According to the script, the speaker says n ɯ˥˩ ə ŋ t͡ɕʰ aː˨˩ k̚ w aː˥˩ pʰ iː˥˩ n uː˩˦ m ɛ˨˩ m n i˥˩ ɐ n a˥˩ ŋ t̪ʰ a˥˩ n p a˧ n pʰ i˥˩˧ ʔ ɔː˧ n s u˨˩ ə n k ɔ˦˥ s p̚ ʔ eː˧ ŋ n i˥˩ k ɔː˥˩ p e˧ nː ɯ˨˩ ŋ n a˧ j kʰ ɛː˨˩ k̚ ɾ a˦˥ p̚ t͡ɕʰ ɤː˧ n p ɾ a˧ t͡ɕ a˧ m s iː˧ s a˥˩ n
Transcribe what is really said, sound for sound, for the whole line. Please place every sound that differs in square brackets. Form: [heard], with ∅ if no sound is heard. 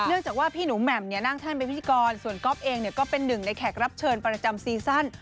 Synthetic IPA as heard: n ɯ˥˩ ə ŋ [t͡ɕ] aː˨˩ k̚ w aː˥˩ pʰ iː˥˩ n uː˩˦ m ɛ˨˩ m n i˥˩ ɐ n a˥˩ ŋ t̪ʰ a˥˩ n p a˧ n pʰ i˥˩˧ [k] ɔː˧ n s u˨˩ ə n k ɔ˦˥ [∅] p̚ ʔ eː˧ ŋ n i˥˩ k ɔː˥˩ p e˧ nː ɯ˨˩ ŋ n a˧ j kʰ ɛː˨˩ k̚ ɾ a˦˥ p̚ t͡ɕʰ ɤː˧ n p ɾ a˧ t͡ɕ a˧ m s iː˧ s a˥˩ n